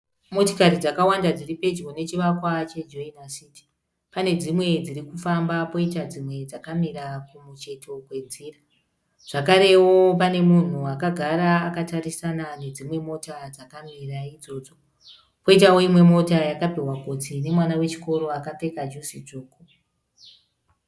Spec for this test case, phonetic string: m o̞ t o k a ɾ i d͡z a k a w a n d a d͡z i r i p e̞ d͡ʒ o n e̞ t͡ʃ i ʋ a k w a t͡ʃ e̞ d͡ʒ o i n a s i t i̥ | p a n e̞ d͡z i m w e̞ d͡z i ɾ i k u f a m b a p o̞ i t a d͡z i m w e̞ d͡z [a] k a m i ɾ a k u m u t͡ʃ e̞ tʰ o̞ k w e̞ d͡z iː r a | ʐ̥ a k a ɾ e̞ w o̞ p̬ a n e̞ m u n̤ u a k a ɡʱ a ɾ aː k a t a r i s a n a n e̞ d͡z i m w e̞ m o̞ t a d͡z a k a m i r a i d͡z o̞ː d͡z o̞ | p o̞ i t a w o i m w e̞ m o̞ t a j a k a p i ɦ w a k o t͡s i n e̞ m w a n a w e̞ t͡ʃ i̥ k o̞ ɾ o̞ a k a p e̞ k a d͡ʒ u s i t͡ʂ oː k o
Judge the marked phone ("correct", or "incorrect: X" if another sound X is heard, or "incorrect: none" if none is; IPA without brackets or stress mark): correct